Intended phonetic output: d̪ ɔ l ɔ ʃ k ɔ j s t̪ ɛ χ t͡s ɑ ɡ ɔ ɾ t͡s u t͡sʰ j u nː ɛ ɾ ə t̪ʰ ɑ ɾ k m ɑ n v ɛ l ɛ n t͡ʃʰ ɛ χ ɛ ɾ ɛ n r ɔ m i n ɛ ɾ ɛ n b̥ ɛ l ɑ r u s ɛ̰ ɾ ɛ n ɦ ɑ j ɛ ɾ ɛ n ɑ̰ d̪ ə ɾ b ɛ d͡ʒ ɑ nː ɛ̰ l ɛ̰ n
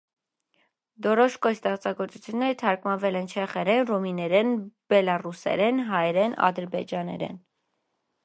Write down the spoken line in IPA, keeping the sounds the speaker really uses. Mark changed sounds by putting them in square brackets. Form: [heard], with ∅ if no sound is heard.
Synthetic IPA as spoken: d̪ ɔ [ɾ] ɔ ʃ k ɔ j s t̪ ɛ χ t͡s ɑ ɡ ɔ ɾ t͡s u t͡sʰ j u nː ɛ ɾ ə t̪ʰ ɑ ɾ k m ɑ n v ɛ l ɛ n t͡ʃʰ ɛ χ ɛ ɾ ɛ n r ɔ m i n ɛ ɾ ɛ n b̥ ɛ l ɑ r u s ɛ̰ ɾ ɛ n ɦ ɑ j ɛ ɾ ɛ n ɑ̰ d̪ ə ɾ b ɛ d͡ʒ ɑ [n] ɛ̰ [ɾ] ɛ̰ n